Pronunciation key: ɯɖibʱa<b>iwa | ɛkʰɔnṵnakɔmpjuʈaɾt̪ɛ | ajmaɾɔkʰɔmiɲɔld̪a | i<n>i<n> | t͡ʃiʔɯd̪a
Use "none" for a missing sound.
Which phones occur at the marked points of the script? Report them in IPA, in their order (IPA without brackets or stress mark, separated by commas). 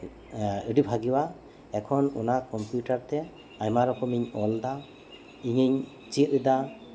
ɡ, ɲ, ɲ